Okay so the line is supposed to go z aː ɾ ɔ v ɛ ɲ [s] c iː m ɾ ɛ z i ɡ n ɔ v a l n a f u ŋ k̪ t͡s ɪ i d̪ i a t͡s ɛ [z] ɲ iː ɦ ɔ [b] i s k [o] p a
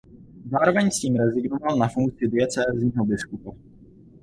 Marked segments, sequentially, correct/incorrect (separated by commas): correct, correct, correct, incorrect